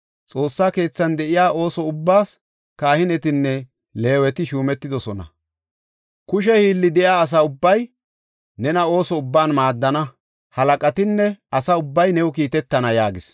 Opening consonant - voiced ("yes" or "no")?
no